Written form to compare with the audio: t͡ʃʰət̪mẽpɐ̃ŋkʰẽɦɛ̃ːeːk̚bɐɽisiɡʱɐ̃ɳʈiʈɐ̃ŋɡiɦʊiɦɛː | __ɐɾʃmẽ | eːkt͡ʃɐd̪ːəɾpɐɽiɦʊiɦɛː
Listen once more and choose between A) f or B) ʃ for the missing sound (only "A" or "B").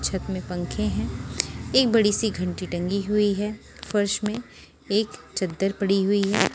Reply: A